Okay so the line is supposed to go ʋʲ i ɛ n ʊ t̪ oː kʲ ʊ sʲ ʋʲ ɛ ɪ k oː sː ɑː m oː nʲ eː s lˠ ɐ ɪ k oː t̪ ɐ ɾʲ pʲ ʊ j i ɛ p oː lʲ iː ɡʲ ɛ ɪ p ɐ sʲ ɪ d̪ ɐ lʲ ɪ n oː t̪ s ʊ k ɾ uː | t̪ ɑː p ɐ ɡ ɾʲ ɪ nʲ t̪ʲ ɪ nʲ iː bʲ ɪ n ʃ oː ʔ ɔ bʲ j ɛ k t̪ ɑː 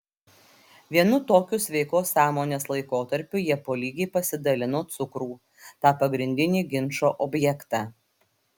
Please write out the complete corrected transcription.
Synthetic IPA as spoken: ʋʲ i ɛ n ʊ t̪ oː kʲ ʊ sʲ ʋʲ ɛ ɪ k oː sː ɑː m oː nʲ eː s lˠ ɐ ɪ k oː t̪ ɐ ɾʲ pʲ ʊ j i ɛ p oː lʲ iː ɡʲ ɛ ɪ p ɐ sʲ ɪ d̪ ɐ lʲ ɪ n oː t̪ s ʊ k ɾ uː | t̪ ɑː p ɐ ɡ ɾʲ ɪ nʲ d̪ʲ ɪ nʲ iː ɡʲ ɪ n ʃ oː ʔ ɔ bʲ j ɛ k t̪ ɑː